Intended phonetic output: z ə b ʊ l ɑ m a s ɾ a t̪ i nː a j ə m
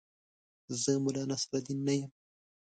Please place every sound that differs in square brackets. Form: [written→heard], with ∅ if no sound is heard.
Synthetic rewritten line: z ə [b→m] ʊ l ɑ [m→n] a s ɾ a [t̪→d̪] i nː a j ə m